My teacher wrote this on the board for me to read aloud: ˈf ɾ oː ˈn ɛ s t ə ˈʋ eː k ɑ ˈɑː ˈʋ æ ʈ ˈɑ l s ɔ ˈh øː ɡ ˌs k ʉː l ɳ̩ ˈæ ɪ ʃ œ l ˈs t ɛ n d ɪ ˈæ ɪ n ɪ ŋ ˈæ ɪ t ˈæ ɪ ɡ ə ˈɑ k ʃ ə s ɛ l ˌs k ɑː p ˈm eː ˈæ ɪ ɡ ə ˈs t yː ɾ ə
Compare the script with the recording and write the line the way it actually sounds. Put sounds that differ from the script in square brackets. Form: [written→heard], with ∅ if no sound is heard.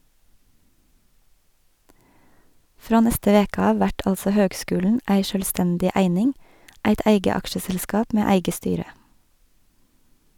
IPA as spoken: ˈf ɾ oː ˈn ɛ s t ə ˈʋ eː k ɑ ˈɑː ˈʋ æ ʈ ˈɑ l s ɔ ˈh øː ɡ ˌs k ʉː l ɳ̩ ˈæ ɪ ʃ œ l ˈs t ɛ n d ɪ ˈæ ɪ n ɪ ŋ ˈæ ɪ t ˈæ ɪ ɡ ə ˈɑ k ʃ ə s ɛ l ˌs k ɑː p ˈm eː ˈæ ɪ ɡ ə ˈs t yː ɾ ə